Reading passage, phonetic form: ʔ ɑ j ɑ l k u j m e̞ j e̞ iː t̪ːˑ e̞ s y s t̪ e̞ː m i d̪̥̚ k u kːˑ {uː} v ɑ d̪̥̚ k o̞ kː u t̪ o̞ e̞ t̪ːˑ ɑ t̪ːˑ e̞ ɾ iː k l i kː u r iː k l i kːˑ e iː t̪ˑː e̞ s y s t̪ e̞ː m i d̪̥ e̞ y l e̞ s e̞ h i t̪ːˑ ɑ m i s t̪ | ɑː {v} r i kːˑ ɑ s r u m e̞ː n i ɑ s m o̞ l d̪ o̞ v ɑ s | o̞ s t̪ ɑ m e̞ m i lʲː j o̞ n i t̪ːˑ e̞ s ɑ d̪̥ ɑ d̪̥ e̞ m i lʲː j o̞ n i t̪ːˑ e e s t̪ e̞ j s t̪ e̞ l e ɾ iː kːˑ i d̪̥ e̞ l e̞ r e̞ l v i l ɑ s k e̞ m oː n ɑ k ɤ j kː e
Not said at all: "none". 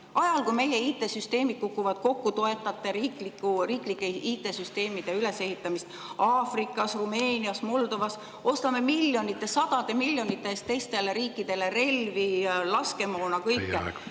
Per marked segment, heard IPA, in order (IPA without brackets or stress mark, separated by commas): u, f